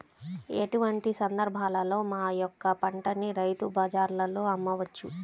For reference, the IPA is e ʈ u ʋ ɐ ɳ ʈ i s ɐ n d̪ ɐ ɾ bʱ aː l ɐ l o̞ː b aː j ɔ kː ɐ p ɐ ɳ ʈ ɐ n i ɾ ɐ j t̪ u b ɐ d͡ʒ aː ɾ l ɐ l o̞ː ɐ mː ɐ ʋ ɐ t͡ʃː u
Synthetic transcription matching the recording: e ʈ u ʋ ɐ ɳ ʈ i s ɐ n d̪ ɐ ɾ bʱ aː l ɐ l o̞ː m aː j ɔ kː ɐ p ɐ ɳ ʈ ɐ n i ɾ ɐ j t̪ u b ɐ d͡ʒ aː ɾ l ɐ l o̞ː ɐ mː ɐ ʋ ɐ t͡ʃː u